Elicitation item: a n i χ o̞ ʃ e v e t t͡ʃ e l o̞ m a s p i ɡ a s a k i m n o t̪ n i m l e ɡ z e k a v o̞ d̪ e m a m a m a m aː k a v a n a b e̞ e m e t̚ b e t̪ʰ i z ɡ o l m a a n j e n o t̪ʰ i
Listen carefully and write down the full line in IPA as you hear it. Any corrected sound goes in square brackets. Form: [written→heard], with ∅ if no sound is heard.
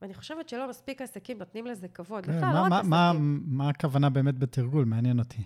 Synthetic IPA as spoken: a n i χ o̞ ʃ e v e t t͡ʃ e l o̞ m a s p i [ɡ→k] a s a k i m n o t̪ n i m l e [ɡ→∅] z e k a v o̞ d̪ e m a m a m a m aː k a v a n a b e̞ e m e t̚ b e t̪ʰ i [z→ʁ] ɡ [o→u] l m [a→e] a n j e n o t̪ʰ i